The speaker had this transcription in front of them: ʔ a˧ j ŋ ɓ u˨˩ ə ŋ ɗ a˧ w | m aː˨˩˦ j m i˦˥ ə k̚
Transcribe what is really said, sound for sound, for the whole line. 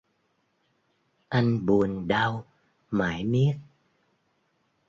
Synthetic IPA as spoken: ʔ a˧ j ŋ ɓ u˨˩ ə n ɗ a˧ w | m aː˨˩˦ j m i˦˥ ə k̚